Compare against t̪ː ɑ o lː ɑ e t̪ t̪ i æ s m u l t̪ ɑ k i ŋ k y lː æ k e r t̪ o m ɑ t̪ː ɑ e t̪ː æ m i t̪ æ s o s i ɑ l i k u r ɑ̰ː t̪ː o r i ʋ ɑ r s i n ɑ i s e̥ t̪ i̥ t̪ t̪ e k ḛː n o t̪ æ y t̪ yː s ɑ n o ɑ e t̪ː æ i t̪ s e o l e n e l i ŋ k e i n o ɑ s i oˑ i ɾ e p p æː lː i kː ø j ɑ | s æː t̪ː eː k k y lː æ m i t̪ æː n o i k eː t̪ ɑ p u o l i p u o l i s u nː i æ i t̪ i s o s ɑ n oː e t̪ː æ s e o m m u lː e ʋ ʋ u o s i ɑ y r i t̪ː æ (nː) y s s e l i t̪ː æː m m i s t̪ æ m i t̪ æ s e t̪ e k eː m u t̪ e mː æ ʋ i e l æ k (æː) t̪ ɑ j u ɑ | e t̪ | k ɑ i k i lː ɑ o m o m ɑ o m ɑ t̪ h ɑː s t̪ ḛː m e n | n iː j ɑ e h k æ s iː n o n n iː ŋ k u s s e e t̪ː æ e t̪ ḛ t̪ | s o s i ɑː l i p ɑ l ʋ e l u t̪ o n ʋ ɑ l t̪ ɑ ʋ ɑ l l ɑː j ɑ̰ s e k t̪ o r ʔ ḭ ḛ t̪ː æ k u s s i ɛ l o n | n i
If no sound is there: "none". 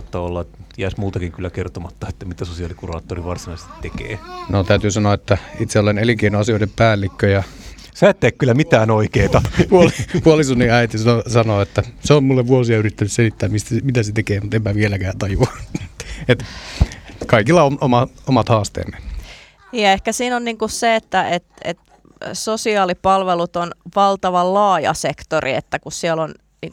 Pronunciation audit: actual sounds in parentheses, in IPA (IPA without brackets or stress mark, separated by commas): n, æː